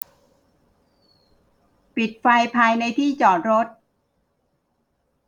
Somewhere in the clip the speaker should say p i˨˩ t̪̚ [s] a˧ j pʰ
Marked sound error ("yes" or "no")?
yes